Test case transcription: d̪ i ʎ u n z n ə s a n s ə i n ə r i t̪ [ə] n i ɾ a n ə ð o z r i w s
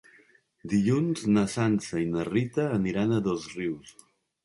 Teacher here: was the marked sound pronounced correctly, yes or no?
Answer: no